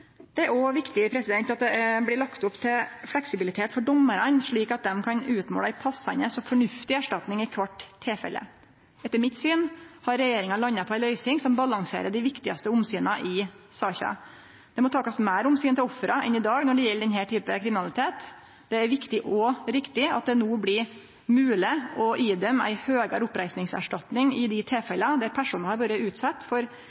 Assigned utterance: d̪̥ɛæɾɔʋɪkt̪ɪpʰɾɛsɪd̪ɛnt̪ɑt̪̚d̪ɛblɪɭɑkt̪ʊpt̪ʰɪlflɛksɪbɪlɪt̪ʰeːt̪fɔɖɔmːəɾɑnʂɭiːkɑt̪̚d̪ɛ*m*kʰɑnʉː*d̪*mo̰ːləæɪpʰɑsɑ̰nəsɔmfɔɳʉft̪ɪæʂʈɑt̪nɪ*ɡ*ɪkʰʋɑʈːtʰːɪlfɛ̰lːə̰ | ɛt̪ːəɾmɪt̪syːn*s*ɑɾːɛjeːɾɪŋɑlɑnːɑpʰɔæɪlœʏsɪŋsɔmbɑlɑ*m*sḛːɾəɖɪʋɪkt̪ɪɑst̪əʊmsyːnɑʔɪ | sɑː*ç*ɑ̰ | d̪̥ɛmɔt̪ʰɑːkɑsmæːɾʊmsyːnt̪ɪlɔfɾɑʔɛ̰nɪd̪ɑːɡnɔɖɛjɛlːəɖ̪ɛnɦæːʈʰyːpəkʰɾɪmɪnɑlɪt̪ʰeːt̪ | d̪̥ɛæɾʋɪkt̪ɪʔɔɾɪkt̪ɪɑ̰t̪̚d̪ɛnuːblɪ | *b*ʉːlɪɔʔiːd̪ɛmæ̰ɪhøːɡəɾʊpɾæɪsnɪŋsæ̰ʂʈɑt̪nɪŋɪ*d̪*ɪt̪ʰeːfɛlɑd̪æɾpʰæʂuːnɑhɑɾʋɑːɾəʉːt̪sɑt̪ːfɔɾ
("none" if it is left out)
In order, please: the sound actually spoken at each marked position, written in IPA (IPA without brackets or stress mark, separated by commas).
m, t̪, ŋ, h, ŋ, ç, m, d̪